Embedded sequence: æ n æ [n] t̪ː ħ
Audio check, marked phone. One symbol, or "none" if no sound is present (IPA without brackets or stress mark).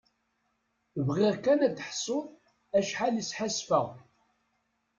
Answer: none